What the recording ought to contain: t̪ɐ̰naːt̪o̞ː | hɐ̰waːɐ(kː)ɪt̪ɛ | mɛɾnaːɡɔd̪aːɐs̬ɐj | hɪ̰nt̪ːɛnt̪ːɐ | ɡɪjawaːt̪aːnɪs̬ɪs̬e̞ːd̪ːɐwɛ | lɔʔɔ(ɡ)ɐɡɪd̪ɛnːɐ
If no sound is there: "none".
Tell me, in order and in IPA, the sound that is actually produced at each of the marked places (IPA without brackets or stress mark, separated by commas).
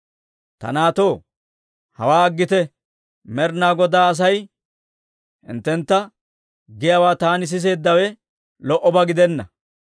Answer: ɡː, b